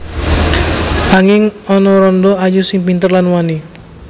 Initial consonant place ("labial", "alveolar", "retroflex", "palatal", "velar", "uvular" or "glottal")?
velar